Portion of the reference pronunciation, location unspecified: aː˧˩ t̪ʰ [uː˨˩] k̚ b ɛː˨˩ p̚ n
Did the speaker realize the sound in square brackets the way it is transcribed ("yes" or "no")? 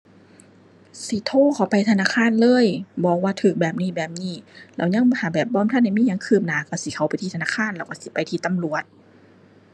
no